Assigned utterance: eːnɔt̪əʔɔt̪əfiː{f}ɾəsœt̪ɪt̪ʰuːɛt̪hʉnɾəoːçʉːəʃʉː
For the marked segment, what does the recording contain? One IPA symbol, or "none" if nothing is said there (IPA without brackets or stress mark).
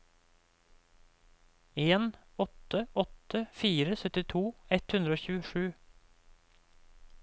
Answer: none